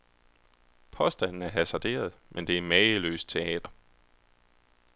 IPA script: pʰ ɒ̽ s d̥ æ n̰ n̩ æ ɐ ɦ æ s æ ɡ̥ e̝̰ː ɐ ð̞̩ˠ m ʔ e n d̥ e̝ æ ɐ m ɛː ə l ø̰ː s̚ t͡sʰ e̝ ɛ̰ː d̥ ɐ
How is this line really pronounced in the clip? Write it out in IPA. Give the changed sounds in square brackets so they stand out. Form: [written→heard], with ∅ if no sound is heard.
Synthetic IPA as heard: pʰ ɒ̽ s d̥ æ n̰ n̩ æ ɐ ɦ æ s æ [ɡ̥→d̥] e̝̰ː ɐ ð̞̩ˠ m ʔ e n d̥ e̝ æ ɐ m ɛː ə l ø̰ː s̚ t͡sʰ e̝ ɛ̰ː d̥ ɐ